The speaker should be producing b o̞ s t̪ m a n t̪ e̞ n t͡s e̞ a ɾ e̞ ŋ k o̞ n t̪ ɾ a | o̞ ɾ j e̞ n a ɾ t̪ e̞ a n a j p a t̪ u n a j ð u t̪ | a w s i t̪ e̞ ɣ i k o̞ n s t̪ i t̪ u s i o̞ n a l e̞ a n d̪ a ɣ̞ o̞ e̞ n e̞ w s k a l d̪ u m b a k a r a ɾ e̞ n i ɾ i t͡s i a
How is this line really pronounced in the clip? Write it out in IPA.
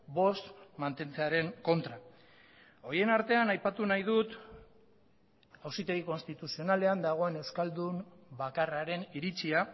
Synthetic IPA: b o̞ s t̪ m a n t̪ e̞ n t͡s e̞ a ɾ e̞ ŋ k o̞ n t̪ ɾ a | o̞ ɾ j e̞ n a ɾ t̪ e̞ a n a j p a t̪ u n a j ð u t̪ | a w s i t̪ e̞ ɣ i k o̞ n s t̪ i t̪ u s i o̞ n a l e̞ a n d̪ a ɣ̞ o̞ e̞ n e̞ w s k a l d̪ u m b a k a r a ɾ e̞ n i ɾ i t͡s i a